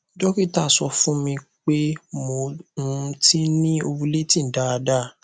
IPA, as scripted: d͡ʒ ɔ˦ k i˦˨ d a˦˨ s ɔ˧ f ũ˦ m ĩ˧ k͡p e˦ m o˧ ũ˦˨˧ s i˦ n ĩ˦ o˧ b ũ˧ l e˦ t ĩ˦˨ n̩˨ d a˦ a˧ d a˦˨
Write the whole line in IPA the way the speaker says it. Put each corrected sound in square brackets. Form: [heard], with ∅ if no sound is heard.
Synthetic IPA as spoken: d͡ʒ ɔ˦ k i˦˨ [t] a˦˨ s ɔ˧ f ũ˦ m ĩ˧ k͡p e˦ m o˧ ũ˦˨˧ [t] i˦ n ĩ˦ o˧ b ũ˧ l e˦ t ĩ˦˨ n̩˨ d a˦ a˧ d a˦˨